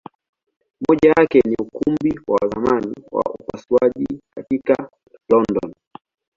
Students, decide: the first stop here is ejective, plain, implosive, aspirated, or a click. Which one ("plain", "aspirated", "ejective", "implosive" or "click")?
implosive